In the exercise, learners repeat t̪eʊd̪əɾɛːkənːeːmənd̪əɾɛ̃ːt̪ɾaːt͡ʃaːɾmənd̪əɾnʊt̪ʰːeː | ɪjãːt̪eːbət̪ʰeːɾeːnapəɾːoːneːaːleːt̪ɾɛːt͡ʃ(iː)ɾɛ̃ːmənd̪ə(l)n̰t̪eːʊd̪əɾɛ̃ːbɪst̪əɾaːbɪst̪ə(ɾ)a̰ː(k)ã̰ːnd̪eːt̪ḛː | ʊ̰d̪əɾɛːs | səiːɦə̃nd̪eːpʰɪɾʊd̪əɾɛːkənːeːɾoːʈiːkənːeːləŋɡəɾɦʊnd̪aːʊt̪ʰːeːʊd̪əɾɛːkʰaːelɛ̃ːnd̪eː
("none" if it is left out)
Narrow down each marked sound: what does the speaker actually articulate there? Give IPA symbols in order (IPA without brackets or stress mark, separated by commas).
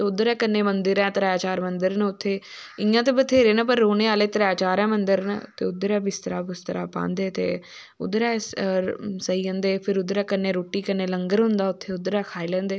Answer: aː, ɾ, ɾ, p